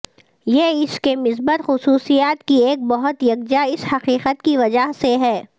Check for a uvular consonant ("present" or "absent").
present